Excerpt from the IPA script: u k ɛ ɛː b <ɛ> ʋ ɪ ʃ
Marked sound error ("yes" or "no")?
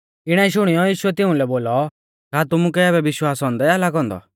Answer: no